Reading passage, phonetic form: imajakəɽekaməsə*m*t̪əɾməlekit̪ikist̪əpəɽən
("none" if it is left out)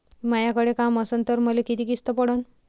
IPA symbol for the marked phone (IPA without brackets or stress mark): n